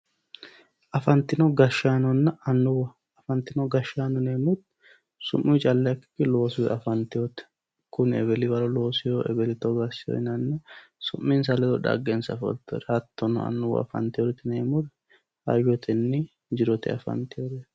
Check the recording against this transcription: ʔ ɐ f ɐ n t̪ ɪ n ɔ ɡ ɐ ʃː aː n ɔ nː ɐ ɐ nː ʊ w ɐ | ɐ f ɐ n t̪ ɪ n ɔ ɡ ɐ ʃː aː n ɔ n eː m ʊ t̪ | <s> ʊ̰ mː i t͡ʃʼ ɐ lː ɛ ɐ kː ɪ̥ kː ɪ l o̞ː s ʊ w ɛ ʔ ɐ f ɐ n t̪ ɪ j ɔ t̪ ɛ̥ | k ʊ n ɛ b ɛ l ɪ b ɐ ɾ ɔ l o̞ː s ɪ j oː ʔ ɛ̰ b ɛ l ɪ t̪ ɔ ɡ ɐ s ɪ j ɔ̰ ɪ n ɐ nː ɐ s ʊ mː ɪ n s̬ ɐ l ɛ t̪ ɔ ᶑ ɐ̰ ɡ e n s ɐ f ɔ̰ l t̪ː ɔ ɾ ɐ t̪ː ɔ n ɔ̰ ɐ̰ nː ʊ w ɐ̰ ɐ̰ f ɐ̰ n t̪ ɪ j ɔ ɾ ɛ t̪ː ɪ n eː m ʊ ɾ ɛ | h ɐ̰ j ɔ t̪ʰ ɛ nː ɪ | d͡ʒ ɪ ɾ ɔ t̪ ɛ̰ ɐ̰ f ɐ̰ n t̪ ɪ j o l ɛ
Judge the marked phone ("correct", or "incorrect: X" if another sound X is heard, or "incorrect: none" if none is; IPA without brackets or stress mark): correct